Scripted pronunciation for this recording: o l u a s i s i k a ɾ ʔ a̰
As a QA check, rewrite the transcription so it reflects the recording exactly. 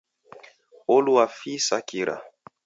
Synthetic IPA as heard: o l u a f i s a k i ɾ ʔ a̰